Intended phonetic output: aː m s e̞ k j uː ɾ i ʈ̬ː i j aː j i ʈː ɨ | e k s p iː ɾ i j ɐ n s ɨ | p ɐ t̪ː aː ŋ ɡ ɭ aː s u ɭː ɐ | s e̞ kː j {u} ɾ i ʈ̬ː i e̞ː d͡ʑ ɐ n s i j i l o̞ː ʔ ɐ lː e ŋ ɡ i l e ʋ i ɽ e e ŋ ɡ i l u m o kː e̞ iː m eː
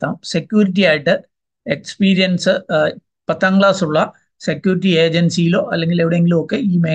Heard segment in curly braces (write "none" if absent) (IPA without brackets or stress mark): uː